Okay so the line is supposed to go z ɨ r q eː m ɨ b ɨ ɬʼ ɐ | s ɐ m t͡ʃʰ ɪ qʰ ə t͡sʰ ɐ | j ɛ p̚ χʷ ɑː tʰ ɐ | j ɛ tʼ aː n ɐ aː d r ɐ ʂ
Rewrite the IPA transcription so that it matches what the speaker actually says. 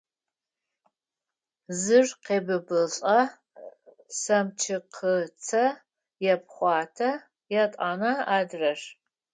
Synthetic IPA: z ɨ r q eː b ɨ b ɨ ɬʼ ɐ | s ɐ m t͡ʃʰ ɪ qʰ ə t͡sʰ ɐ | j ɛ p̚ χʷ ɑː tʰ ɐ | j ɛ tʼ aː n ɐ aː d r ɐ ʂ